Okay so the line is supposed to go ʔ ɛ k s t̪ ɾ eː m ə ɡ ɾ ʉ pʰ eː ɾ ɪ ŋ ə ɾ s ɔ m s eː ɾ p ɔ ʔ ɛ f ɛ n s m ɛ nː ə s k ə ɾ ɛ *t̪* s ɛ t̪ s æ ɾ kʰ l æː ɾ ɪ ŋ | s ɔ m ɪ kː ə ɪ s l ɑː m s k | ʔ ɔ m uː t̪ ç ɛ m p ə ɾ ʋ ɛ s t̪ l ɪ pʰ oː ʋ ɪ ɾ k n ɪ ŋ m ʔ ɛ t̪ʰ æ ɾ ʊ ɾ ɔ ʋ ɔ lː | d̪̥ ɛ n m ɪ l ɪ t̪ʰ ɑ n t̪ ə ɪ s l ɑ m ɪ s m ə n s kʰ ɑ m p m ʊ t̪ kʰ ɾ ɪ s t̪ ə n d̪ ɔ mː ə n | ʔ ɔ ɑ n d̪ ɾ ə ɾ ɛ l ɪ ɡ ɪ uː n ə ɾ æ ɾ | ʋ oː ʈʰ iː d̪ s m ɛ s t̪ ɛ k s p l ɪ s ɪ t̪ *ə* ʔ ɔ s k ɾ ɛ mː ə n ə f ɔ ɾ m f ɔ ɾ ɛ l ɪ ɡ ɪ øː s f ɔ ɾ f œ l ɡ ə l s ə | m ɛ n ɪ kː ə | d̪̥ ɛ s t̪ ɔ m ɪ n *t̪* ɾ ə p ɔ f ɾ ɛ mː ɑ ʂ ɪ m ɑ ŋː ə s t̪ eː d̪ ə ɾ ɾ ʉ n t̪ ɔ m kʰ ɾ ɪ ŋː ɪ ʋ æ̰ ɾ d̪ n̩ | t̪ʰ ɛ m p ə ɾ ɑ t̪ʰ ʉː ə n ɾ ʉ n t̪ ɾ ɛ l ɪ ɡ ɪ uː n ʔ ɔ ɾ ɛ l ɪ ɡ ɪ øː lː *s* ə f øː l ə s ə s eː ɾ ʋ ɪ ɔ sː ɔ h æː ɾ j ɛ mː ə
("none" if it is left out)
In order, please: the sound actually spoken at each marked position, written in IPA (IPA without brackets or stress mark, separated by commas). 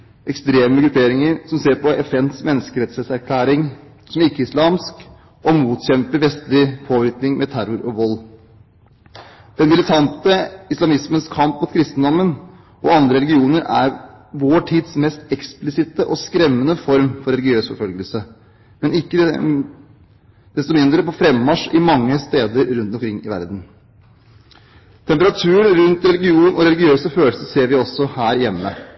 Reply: t̪, ə, d̪, s